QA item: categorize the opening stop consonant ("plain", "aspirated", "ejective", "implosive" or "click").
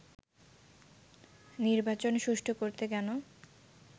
plain